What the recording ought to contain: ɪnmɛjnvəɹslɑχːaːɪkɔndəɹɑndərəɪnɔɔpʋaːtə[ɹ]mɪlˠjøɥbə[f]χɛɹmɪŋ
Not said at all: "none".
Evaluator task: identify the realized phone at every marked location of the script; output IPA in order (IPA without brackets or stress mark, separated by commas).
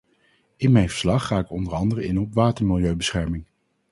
ɹ, s